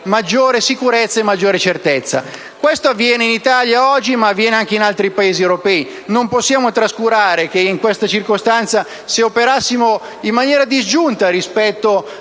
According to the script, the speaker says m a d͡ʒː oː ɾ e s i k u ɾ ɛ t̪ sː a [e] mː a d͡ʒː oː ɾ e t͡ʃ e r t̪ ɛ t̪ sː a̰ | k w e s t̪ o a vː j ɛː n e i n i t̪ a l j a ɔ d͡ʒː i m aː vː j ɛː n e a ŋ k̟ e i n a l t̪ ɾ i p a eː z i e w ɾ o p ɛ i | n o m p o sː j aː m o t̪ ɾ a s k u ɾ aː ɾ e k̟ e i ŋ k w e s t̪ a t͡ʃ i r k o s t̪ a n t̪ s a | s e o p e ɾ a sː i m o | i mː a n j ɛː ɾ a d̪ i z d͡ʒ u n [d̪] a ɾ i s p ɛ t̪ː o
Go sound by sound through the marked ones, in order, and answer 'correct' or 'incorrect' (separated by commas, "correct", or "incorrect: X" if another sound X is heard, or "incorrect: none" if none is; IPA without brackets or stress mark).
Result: correct, incorrect: t̪